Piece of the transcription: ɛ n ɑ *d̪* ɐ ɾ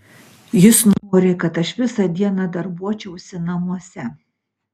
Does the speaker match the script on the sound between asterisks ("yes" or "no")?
yes